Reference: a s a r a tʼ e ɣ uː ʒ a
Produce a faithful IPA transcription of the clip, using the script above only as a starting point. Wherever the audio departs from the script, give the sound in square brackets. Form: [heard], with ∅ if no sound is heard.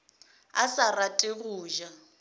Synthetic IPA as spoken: a s a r a tʼ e ɣ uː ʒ a